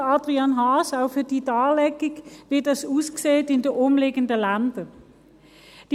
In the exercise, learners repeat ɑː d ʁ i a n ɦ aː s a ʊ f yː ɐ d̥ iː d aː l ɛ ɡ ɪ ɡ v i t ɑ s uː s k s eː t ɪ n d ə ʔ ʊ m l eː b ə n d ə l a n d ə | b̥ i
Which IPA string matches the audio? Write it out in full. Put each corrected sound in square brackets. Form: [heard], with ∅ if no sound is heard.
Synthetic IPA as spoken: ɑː d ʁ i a n ɦ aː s a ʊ f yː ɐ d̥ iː d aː l ɛ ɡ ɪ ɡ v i [d] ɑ s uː s k s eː t ɪ n d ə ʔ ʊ m l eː [ɡ] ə n d ə l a n d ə | [d̥] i